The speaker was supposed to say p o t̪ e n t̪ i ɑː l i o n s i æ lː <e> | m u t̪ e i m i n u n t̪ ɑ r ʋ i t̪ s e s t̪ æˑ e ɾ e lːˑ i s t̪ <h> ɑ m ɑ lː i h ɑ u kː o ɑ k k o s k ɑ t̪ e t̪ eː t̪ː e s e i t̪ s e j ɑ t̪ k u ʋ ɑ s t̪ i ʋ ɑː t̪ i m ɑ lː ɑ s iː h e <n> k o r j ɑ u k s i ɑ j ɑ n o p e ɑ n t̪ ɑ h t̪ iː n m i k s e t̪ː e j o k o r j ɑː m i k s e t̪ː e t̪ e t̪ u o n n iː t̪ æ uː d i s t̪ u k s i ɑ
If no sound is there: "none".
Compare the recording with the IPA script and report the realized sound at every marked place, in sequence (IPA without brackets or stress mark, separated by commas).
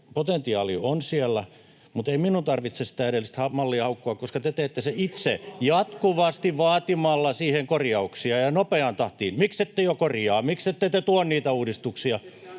æ, h, ŋ